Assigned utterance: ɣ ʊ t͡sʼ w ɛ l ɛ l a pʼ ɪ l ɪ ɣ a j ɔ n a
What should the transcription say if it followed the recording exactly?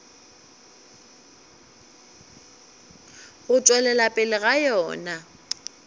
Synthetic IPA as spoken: ɣ ʊ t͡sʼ w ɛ l ɛ l a pʼ ɪ l ɪ ɣ a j ɔː n a